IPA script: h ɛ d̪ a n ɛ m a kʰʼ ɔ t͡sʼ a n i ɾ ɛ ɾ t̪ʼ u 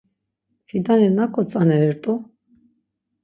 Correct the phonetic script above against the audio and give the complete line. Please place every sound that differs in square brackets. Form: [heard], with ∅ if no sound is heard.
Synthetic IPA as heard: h [i] d̪ a n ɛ [n] a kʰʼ ɔ t͡sʼ a n [ɛ] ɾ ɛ ɾ t̪ʼ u